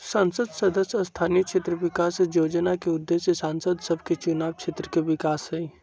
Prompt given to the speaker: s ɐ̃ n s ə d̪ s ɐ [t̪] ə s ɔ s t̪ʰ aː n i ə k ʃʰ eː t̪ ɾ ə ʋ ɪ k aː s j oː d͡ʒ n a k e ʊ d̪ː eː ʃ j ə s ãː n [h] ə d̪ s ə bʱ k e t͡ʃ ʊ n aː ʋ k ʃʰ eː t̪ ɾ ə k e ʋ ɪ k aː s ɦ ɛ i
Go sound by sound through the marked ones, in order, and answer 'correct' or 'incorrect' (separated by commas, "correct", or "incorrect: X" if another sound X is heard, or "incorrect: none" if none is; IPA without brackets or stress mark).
incorrect: d̪, incorrect: s